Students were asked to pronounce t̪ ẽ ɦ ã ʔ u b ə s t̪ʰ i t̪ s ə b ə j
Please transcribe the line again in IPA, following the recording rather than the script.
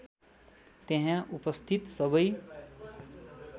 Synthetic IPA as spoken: t̪ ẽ ɦ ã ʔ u p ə s t̪ʰ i t̪ s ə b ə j